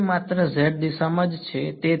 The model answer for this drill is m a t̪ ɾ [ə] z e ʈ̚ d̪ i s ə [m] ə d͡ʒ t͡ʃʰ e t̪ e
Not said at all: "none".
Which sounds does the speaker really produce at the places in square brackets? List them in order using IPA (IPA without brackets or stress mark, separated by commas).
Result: ə, m